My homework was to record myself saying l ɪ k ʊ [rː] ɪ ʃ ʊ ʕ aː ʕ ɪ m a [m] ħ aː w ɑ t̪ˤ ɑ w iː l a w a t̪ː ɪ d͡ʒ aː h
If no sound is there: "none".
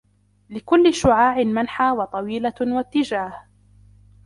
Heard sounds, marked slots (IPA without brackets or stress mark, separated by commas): lː, n